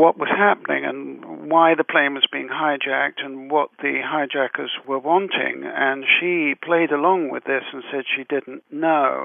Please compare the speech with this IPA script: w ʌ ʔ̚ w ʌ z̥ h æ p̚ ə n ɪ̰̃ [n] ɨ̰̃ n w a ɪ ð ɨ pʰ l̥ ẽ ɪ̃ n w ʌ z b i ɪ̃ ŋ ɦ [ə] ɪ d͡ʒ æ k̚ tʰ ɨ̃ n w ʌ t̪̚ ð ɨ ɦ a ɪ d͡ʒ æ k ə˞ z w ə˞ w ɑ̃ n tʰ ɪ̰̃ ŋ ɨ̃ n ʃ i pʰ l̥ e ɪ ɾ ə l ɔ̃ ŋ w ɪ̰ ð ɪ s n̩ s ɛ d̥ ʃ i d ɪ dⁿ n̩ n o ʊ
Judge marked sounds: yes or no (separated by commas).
no, no